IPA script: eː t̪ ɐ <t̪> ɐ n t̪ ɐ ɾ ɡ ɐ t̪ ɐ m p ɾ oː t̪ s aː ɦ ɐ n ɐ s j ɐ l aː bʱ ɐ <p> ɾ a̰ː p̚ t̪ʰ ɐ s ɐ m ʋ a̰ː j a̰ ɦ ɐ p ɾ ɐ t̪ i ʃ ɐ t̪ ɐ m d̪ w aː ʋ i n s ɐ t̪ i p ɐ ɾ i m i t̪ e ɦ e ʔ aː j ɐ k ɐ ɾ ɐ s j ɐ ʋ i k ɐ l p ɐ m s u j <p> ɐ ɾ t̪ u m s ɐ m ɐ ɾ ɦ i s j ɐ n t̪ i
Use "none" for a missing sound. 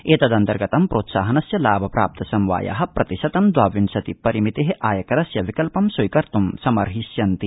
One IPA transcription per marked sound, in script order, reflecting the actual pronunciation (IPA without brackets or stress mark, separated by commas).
d̪, p, k